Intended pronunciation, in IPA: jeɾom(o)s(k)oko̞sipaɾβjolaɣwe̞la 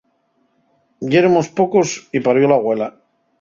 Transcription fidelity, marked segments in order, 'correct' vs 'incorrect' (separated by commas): correct, incorrect